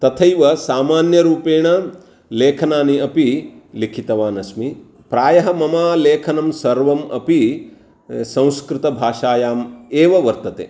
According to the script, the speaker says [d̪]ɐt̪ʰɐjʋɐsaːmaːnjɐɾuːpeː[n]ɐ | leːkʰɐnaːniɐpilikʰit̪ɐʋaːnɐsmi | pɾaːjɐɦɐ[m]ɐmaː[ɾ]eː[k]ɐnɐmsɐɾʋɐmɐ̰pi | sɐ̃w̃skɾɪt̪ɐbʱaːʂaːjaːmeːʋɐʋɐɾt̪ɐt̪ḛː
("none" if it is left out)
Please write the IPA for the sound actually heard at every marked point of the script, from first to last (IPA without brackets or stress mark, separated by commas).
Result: t̪, ɳ, m, l, kʰ